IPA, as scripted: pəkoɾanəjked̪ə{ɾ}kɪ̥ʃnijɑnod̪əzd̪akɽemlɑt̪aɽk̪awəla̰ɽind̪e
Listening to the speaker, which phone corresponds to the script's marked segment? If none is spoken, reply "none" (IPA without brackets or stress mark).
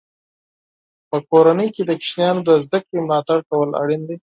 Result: none